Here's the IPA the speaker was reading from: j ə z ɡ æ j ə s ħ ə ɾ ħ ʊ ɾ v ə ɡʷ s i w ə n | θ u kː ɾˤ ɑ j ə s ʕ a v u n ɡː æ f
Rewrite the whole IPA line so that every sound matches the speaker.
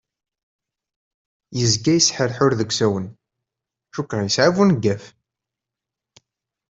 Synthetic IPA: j ə z ɡ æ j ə s ħ ə ɾ ħ ʊ ɾ ð ə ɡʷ s æ w ə n | ʃ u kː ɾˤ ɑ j ə s ʕ a v u n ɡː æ f

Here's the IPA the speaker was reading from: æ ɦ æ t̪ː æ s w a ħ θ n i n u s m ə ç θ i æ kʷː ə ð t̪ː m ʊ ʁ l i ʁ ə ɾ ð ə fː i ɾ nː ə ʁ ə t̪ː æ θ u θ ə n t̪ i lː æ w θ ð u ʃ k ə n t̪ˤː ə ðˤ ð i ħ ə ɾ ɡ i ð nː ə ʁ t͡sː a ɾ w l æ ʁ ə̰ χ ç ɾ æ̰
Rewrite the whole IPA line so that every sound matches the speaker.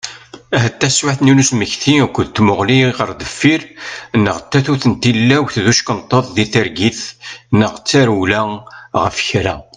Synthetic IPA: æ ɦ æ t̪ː æ s w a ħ θ n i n u s m ə ç θ i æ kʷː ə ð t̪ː m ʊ ʁ l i ʁ ə ɾ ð ə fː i ɾ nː ə ʁ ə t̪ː æ θ u θ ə n t̪ i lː æ w θ ð u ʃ k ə n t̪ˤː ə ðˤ ð i θ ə ɾ ɡ i θ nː ə ʁ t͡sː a ɾ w l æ ʁ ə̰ f ç ɾ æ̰

